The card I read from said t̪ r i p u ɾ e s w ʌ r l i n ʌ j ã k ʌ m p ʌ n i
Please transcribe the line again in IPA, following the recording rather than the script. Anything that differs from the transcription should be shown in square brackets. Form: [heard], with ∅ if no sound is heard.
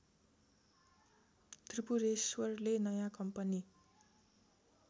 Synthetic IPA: t̪ r i p u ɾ e s w ʌ r l [e] n ʌ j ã k ʌ m p ʌ n i